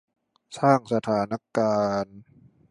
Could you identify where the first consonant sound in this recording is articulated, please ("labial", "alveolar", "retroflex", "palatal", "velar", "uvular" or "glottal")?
alveolar